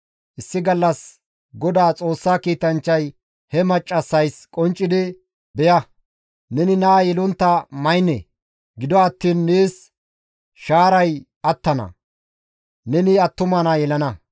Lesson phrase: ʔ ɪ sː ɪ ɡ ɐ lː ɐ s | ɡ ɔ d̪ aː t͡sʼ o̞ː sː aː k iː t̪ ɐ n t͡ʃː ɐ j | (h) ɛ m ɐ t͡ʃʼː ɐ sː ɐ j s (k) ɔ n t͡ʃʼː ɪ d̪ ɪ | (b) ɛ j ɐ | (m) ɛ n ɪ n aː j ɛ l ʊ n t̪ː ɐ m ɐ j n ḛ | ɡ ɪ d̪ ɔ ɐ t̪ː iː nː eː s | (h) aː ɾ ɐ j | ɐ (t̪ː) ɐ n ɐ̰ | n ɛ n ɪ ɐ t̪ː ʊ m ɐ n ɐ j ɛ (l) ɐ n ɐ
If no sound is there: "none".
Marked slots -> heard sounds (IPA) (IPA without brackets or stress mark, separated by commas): h, kʼ, b, n, ʃ, t̪ː, l